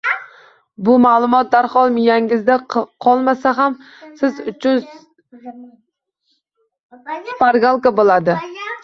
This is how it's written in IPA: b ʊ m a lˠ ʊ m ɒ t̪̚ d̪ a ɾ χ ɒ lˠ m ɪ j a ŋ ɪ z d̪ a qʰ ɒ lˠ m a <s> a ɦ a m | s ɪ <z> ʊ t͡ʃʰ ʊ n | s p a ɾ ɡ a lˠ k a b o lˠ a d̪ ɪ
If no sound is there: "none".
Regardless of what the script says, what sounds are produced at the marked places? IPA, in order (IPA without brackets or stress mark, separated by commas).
s, z